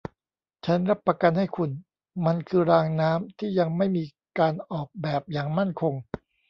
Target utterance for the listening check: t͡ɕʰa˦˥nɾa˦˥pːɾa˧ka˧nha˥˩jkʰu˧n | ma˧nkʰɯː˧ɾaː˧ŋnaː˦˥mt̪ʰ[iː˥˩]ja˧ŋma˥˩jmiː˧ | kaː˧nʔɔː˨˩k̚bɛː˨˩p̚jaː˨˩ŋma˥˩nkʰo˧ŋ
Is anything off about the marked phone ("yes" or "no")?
no